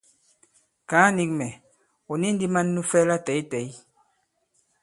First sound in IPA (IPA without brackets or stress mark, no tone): k